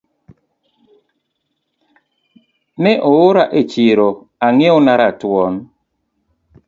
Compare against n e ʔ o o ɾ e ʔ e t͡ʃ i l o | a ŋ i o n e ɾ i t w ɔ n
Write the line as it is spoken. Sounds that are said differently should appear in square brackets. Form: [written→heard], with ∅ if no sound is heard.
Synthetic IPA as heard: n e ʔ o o ɾ [e→a] ʔ e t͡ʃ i [l→ɾ] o | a ŋ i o n [e→a] ɾ [i→a] t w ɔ n

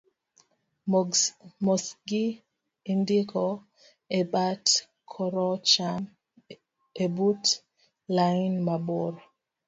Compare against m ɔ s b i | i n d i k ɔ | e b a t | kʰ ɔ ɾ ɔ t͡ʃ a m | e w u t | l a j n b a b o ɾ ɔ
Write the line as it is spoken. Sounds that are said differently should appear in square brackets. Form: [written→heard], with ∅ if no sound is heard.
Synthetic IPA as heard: m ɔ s [b→ɡ] i | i n d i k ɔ | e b a t | kʰ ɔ ɾ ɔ t͡ʃ a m | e [w→b] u t | l a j n [b→m] a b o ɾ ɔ

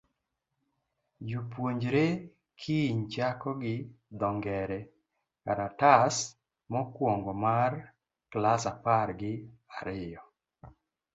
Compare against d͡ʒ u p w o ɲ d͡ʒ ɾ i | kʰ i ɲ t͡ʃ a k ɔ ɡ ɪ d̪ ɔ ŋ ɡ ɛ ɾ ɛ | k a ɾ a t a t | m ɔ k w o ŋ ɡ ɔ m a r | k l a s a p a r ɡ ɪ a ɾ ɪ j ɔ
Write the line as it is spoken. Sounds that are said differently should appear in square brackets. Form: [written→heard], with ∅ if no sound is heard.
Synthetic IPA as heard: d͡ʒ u p w o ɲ d͡ʒ ɾ [i→e] | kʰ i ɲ t͡ʃ a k ɔ ɡ ɪ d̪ ɔ ŋ ɡ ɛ ɾ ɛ | k a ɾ a t a [t→s] | m ɔ k w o ŋ ɡ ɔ m a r | k l a s a p a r ɡ ɪ a ɾ ɪ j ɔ

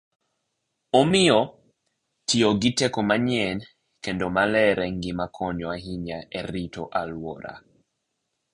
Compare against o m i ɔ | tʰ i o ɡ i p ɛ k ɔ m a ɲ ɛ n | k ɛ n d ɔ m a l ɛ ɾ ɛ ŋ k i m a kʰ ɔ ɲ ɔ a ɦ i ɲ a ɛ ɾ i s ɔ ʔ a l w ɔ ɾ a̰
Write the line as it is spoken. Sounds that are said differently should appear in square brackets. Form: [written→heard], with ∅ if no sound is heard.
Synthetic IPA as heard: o m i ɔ | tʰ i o ɡ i [p→t] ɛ k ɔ m a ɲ ɛ n | k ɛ n d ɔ m a l ɛ ɾ ɛ ŋ [k→ɡ] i m a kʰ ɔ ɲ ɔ a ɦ i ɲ a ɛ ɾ i [s→t] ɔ ʔ a l w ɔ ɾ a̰

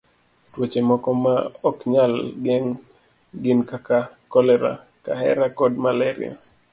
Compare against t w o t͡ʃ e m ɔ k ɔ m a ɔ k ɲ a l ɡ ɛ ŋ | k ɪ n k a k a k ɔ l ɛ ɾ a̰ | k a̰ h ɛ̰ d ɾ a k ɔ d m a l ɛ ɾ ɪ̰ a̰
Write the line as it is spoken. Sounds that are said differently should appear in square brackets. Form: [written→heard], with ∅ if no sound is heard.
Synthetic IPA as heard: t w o t͡ʃ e m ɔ k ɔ m a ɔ k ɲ a l ɡ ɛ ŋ | [k→ɡ] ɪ n k a k a k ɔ l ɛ ɾ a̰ | k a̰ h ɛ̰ [d→∅] ɾ a k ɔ d m a l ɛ ɾ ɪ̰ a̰

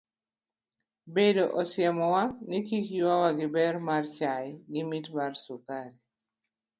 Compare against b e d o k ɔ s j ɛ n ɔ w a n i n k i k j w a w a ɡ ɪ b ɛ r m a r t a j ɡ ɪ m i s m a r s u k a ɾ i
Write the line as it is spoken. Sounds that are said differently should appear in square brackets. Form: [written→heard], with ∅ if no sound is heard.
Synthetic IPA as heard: b e d o [k→ʔ] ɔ s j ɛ [n→m] ɔ w a n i [n→∅] k i k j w a w a ɡ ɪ b ɛ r m a r [t→t͡ʃ] a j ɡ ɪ m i [s→t] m a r s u k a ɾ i

